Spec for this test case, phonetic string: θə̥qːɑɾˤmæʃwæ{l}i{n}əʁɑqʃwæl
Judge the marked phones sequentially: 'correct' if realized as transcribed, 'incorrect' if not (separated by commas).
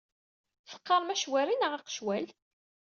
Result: incorrect, correct